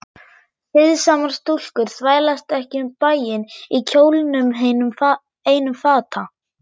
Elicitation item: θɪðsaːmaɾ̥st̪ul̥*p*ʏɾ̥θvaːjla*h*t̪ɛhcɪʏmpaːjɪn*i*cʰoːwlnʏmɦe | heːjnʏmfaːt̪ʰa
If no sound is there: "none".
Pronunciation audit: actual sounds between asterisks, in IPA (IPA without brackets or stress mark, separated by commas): k, s, i